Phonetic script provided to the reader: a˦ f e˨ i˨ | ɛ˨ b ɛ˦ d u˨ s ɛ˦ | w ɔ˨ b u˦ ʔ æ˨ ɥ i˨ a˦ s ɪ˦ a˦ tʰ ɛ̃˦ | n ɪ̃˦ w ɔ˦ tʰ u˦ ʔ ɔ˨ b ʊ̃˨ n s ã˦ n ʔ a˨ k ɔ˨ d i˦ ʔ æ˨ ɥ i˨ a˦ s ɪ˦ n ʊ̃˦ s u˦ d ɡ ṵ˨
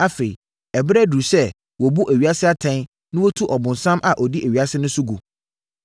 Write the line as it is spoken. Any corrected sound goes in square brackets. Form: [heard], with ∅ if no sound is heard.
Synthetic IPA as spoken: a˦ f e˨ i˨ | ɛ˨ b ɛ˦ d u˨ s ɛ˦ | w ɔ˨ b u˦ ʔ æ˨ ɥ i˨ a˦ s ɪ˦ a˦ tʰ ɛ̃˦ | n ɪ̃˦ w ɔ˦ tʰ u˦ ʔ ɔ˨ b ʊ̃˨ n s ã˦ [m] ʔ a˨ [ʔ] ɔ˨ d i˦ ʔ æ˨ ɥ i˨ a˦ s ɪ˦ n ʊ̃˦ s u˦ [∅] ɡ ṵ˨